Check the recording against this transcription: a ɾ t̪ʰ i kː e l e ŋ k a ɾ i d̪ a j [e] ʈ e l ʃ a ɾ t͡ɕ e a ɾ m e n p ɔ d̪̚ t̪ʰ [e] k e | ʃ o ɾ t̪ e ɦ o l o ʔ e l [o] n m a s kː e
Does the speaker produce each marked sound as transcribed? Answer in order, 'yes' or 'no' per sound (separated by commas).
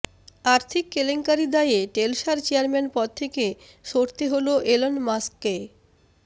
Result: yes, yes, yes